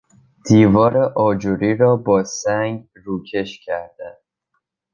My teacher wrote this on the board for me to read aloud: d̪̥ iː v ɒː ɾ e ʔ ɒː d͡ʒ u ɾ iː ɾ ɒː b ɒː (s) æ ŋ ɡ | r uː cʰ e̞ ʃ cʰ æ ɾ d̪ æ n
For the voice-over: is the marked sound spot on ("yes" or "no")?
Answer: yes